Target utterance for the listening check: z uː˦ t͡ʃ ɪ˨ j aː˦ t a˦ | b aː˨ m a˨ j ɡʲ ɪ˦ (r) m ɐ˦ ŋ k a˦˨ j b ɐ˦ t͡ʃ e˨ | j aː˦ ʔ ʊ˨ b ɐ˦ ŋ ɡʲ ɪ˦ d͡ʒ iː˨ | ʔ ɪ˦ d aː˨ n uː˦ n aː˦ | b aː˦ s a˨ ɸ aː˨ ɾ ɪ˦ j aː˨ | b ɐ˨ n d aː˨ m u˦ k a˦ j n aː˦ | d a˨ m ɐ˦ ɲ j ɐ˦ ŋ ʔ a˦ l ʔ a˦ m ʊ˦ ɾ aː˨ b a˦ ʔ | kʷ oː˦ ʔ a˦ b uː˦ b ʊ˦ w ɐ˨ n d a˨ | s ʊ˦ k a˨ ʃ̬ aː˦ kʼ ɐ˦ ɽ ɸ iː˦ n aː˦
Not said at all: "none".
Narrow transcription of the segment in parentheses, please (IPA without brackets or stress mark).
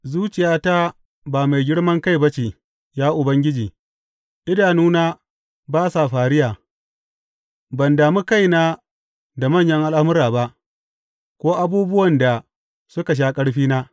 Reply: ɽ